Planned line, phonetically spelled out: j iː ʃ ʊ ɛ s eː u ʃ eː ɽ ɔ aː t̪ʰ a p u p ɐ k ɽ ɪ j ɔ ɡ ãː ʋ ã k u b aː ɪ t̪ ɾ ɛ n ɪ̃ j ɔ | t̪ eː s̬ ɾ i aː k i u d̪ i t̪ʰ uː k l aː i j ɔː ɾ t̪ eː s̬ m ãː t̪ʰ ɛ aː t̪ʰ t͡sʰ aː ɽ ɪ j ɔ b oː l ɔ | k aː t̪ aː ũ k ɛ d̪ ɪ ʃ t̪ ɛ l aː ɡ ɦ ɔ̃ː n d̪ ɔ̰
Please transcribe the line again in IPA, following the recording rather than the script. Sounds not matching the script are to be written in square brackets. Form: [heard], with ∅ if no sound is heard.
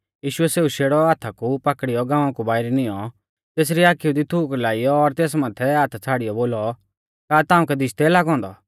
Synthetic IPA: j iː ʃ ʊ ɛ s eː u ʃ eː ɽ ɔ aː t̪ʰ a [k] u p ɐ k ɽ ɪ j ɔ ɡ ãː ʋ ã k u b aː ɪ [∅] ɾ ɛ n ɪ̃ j ɔ | t̪ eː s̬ ɾ i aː k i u d̪ i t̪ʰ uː k l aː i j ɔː ɾ t̪ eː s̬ m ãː t̪ʰ ɛ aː t̪ʰ t͡sʰ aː ɽ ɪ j ɔ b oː l ɔ | k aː t̪ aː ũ k ɛ d̪ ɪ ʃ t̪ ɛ l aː ɡ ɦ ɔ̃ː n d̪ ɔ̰

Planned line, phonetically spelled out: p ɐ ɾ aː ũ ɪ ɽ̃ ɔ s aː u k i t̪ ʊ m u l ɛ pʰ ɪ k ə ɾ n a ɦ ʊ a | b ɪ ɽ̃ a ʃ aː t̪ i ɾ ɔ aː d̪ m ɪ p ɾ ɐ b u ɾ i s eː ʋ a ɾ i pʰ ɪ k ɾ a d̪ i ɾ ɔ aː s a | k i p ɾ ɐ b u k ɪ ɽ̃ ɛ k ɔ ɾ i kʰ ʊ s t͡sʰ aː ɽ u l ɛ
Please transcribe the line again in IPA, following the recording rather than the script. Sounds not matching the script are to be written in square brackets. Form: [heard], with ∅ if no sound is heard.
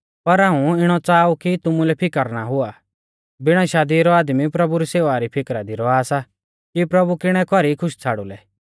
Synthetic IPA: p ɐ ɾ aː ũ ɪ ɽ̃ ɔ [t͡s] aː u k i t̪ ʊ m u l ɛ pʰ ɪ k ə ɾ n a ɦ ʊ a | b ɪ ɽ̃ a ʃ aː [d̪] i ɾ ɔ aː d̪ m [i] p ɾ ɐ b u ɾ i s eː ʋ a ɾ i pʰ ɪ k ɾ a d̪ i ɾ ɔ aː s a | k i p ɾ ɐ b u k ɪ ɽ̃ ɛ k ɔ ɾ i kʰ ʊ [ʃ] t͡sʰ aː ɽ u l ɛ

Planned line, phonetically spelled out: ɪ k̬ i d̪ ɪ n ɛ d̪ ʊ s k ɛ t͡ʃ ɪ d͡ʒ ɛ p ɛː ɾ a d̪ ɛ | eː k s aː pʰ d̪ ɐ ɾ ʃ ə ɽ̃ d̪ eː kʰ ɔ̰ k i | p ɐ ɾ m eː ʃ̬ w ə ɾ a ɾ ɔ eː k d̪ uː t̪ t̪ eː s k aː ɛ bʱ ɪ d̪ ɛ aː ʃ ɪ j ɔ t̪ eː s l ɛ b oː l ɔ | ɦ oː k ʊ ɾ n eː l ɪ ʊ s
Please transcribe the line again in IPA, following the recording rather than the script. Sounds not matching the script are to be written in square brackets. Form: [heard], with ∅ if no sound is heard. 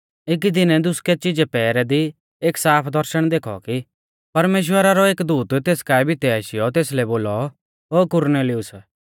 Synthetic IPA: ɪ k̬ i d̪ ɪ n ɛ d̪ ʊ s k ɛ t͡ʃ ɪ d͡ʒ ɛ p ɛː ɾ [ɛ] d̪ [i] | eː k s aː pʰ d̪ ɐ ɾ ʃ ə ɽ̃ d̪ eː kʰ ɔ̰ k i | p ɐ ɾ m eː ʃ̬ w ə ɾ a ɾ ɔ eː k d̪ uː t̪ t̪ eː s k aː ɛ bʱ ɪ [t̪] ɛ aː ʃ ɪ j ɔ t̪ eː s l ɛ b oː l ɔ | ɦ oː k ʊ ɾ n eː l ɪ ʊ s

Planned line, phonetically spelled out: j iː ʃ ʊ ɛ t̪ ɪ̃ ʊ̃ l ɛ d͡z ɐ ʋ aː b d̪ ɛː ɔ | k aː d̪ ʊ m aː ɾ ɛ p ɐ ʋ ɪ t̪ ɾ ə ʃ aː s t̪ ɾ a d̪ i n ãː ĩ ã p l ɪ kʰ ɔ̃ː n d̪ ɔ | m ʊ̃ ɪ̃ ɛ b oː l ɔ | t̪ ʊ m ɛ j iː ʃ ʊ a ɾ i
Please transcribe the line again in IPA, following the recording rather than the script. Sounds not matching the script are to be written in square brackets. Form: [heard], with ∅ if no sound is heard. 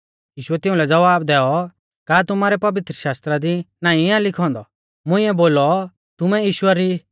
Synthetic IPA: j iː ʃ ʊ ɛ t̪ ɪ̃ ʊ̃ l ɛ d͡z ɐ ʋ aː b d̪ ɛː ɔ | k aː [t̪] ʊ m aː ɾ ɛ p ɐ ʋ ɪ t̪ ɾ ə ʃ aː s t̪ ɾ a d̪ i n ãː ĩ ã [∅] l ɪ kʰ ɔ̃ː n d̪ ɔ | m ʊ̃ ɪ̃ ɛ b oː l ɔ | t̪ ʊ m ɛ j iː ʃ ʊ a ɾ i

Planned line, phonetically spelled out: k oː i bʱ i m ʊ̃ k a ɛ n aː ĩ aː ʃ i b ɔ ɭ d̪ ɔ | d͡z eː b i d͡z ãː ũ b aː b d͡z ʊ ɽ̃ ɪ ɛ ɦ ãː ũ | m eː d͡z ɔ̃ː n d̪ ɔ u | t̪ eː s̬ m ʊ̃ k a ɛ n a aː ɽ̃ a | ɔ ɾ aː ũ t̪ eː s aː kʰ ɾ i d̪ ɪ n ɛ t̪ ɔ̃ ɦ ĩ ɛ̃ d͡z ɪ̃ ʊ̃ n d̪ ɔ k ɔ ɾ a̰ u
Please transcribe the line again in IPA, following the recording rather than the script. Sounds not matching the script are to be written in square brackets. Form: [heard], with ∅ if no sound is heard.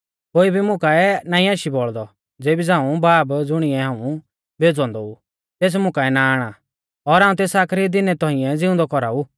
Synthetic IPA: k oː i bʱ i m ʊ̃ k a ɛ n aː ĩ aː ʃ i b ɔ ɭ d̪ ɔ | d͡z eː b i d͡z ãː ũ b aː b d͡z ʊ ɽ̃ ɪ ɛ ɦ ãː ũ | [b] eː d͡z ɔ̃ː n d̪ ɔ u | t̪ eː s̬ m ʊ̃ k a ɛ n a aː ɽ̃ a | ɔ ɾ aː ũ t̪ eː s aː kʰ ɾ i d̪ ɪ n ɛ t̪ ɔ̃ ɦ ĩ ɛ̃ d͡z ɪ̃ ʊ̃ n d̪ ɔ k ɔ ɾ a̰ u

